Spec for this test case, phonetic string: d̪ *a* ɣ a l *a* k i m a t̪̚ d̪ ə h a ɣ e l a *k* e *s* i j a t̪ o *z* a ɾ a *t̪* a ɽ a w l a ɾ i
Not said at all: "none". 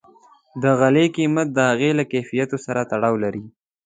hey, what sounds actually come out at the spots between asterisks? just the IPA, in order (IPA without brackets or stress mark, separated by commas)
ə, e, k, f, s, t̪